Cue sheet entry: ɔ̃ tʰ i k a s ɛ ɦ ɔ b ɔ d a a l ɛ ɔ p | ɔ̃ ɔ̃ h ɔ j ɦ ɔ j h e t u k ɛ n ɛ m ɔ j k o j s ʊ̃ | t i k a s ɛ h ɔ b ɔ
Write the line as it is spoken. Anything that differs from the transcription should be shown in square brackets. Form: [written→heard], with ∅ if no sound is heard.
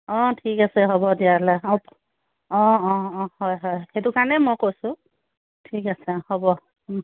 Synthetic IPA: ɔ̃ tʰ i k a s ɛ ɦ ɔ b ɔ d [a→i] a l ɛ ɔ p | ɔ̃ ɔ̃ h ɔ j ɦ ɔ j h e t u k [ɛ→a] n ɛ m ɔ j k o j s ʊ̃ | [t→tʰ] i k a s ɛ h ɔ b ɔ